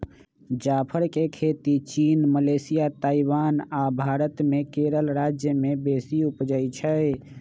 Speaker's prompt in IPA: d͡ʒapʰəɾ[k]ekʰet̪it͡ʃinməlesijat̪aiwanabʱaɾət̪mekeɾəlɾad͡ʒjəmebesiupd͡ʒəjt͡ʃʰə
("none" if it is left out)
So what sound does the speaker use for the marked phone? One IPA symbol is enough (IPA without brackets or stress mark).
k